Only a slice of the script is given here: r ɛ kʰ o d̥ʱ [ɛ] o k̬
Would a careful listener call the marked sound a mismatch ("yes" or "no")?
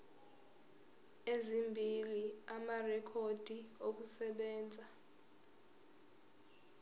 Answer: yes